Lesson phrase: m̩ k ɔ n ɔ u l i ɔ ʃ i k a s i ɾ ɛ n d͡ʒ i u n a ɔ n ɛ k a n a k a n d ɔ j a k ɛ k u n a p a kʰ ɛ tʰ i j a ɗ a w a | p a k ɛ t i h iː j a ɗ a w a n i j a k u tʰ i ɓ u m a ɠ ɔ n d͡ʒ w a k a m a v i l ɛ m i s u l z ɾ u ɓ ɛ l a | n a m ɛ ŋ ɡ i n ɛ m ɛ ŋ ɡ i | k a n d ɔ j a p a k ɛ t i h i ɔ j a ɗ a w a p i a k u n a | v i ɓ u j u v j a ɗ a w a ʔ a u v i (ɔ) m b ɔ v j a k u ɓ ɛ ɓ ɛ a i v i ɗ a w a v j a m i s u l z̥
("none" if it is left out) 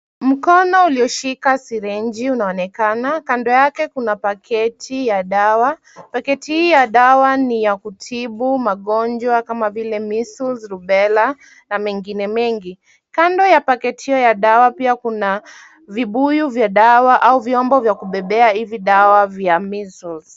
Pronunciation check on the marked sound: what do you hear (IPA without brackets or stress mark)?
ɔ